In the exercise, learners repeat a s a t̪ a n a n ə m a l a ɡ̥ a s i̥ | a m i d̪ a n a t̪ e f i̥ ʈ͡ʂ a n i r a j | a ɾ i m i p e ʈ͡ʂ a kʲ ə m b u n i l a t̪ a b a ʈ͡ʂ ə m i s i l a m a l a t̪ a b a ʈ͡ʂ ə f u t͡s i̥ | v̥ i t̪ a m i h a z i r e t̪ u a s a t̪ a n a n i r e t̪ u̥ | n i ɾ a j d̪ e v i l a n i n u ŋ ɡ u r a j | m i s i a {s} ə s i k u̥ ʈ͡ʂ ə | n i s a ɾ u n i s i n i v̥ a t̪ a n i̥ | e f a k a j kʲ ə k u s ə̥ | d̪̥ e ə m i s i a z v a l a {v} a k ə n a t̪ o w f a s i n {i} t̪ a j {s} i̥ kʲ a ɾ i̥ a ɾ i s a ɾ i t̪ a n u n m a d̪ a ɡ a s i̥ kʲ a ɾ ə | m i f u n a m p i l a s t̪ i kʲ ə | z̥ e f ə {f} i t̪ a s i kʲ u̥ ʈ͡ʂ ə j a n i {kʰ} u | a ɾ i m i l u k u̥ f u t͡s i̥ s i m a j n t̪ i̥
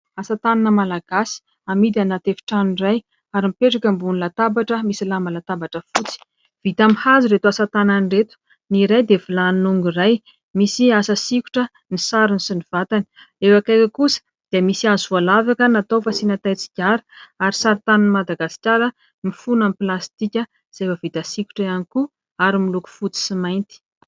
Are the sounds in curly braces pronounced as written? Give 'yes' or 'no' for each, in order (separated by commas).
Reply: yes, yes, no, no, no, no